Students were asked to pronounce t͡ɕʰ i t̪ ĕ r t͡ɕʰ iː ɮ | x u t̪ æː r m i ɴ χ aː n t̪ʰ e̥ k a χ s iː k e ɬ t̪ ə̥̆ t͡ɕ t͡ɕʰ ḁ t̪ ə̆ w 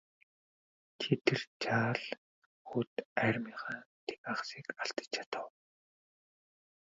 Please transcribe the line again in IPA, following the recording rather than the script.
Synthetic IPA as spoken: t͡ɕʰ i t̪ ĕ r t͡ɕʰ aː ɮ | x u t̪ æː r m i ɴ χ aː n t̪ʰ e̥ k a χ s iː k a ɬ t̪ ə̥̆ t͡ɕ t͡ɕʰ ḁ t̪ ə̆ w

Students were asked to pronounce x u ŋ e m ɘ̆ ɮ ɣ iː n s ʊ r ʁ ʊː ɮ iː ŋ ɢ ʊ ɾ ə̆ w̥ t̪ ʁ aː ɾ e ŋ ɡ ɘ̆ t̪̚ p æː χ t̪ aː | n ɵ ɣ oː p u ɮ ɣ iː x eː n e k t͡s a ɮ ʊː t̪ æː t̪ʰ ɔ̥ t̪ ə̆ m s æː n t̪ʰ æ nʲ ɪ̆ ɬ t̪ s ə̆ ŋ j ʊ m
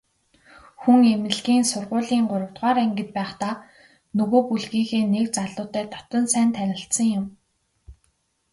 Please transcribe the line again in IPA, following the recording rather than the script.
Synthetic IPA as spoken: x u ŋ e m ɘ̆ ɮ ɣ iː n s ʊ r ʁ ʊː ɮ iː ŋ ɢ ʊ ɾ ə̆ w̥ t̪ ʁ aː ɾ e ŋ ɡ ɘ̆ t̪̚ p æː χ t̪ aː | n ɵ ɣ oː p u ɮ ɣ iː x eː n e k t͡s a ɮ ʊː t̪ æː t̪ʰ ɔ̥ t̪ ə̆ n s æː n t̪ʰ æ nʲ ɪ̆ ɬ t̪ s ə̆ ŋ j ʊ m

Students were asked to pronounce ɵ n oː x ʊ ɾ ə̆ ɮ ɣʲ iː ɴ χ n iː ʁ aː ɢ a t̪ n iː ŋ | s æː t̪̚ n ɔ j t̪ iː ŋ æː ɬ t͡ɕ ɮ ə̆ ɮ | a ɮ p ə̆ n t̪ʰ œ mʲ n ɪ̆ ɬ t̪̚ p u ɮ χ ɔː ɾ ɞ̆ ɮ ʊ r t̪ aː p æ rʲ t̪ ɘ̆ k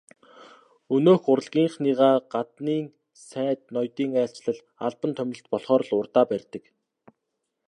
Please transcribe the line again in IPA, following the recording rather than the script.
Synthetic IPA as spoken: ɵ n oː x ʊ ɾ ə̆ ɮ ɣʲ iː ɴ χ n iː ʁ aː ɢ a t̪ n iː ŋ | s æː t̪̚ n ɔ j t̪ iː ŋ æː ɬ t͡ɕ ɮ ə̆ ɮ | a ɮ p ə̆ n t̪ʰ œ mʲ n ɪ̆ ɬ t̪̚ p ɔ ɮ χ ɔː ɾ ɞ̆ ɮ ʊ r t̪ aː p æ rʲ t̪ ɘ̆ k

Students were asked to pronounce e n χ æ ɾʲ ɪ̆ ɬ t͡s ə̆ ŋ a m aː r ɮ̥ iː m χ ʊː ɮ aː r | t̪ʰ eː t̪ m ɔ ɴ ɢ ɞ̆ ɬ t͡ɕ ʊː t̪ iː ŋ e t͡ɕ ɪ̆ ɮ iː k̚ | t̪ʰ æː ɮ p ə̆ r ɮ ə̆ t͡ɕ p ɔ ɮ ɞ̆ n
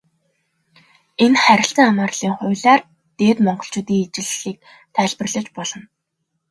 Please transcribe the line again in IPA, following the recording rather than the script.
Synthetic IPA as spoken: e n χ æ ɾʲ ɪ̆ ɬ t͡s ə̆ ŋ a m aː r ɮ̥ iː ŋ χ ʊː ɮ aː r | t̪ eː t̪ m ɔ ɴ ɢ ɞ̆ ɬ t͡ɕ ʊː t̪ iː ŋ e t͡ɕ ɪ̆ ɮ iː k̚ | t̪ʰ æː ɮ p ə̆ r ɮ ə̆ t͡ɕ p ɔ ɮ ɞ̆ n

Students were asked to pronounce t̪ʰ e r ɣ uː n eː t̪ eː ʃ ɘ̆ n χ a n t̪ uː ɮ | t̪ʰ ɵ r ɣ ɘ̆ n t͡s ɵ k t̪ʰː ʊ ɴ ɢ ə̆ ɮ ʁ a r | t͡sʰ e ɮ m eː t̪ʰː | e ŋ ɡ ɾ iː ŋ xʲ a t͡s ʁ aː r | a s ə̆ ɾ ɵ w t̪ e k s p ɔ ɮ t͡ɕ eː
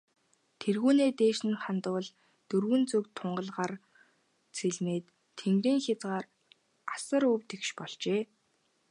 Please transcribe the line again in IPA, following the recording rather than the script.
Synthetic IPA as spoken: t̪ʰ e r ɣ uː n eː t̪ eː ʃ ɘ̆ n χ a n t̪ ʊː ɮ | t̪ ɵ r ɣ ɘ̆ n t͡s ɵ k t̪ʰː ʊ ɴ ɢ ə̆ ɮ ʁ a r | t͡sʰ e ɮ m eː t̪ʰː | e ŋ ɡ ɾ iː ŋ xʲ a t͡s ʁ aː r | a s ə̆ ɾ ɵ w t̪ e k ʃ p ɔ ɮ t͡ɕ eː

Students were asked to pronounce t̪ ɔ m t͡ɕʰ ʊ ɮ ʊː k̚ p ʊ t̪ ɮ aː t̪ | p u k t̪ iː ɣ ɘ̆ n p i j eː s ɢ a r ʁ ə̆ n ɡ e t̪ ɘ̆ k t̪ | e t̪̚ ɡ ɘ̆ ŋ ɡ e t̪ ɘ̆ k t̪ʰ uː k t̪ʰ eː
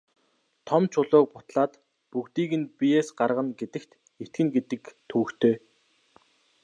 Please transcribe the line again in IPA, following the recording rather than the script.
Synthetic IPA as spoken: t̪ʰ ɔ m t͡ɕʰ ʊ ɮ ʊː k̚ p ʊ t̪ ɮ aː t̪ | p u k t̪ iː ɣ ɘ̆ n p i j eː s ɢ a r ʁ ə̆ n ɡ e t̪ ɘ̆ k t̪ | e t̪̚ ɡ ɘ̆ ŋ ɡ e t̪ ɘ̆ k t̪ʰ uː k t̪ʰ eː

